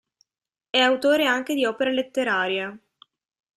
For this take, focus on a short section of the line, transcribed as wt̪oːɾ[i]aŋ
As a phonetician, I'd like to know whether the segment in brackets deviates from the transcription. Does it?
yes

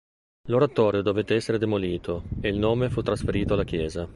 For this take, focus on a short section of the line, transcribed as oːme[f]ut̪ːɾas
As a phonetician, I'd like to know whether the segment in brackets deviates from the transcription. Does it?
no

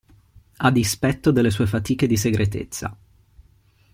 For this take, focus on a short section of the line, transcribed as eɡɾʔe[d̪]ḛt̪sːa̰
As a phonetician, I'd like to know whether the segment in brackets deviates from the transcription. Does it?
yes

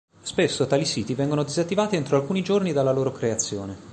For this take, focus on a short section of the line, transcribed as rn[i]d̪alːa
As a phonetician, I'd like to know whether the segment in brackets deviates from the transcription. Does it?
no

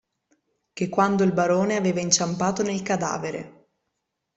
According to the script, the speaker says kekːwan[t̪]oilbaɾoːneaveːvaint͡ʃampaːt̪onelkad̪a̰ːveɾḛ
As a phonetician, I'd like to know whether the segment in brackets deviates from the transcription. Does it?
yes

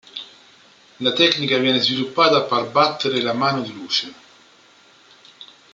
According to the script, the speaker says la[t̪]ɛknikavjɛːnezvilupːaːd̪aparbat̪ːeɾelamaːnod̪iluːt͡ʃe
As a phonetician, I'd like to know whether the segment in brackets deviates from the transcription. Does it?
no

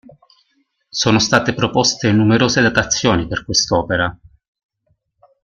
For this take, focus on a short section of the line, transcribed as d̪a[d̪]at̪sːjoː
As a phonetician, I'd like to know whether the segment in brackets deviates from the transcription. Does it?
yes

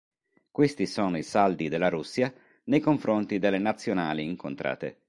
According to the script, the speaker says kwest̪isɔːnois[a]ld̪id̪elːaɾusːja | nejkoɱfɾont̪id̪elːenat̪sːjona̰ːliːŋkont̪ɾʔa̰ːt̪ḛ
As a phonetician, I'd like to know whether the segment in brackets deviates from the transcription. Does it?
no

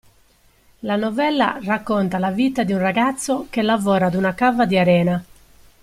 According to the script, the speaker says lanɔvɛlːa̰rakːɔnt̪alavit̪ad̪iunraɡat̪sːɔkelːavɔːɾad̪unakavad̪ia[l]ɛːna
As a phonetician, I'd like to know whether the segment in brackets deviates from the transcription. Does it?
yes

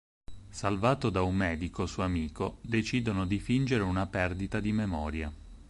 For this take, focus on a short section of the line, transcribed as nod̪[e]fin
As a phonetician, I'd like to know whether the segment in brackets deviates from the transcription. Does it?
yes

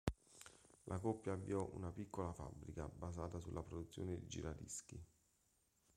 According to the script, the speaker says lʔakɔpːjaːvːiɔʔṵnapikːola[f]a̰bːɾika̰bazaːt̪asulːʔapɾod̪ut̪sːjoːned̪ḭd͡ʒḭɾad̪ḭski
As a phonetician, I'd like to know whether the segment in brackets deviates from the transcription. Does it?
no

